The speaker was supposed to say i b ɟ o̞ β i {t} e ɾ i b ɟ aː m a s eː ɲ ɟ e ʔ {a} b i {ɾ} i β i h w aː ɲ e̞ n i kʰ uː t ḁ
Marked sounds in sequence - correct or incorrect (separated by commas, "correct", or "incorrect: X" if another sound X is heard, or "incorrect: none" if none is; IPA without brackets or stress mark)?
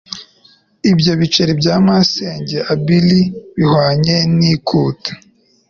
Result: incorrect: t͡ʃ, correct, incorrect: l